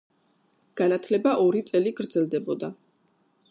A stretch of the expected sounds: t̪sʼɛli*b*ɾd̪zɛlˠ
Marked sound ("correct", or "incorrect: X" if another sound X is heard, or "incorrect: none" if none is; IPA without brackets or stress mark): incorrect: ɡ